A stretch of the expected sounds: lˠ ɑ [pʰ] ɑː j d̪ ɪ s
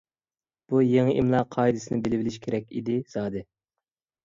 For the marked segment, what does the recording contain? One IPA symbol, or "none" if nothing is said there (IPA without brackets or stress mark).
qʰ